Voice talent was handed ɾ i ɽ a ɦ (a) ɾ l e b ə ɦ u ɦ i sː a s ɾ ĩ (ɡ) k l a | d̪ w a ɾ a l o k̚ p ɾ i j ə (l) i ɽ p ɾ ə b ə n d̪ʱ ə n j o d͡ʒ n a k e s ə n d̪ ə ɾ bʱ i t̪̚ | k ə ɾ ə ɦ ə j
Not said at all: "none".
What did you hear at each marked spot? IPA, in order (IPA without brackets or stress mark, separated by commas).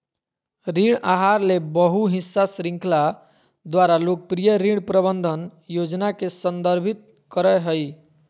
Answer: a, ŋ, ɾ